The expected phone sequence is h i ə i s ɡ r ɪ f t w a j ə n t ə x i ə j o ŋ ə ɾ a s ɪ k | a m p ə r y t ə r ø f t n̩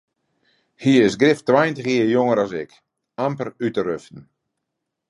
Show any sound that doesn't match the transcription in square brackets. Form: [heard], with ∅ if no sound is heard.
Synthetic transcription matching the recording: h i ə [ɪ] s ɡ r ɪ f t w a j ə n t ə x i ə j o ŋ ə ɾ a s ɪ k | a m p ə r y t ə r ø f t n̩